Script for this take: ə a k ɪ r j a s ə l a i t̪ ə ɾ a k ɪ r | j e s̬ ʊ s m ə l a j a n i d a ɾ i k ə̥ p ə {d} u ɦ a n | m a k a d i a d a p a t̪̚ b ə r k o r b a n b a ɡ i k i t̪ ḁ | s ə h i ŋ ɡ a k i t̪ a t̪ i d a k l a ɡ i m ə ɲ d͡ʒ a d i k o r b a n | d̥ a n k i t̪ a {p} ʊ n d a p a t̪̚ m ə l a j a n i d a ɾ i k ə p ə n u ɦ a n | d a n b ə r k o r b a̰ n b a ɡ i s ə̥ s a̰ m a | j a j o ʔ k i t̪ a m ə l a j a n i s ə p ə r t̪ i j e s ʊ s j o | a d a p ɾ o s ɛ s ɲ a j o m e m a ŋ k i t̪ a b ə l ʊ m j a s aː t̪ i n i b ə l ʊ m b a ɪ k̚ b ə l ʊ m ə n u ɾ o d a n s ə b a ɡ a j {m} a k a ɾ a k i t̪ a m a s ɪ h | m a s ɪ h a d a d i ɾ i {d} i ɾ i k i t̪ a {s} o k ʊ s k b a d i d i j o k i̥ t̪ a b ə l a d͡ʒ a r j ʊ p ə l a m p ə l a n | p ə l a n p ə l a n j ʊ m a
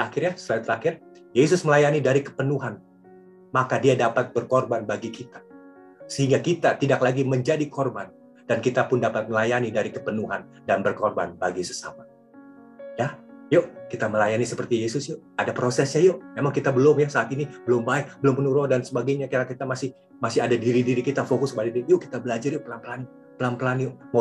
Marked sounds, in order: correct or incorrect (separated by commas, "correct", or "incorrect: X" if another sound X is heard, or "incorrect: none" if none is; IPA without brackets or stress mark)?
incorrect: n, correct, incorrect: ɲ, correct, incorrect: f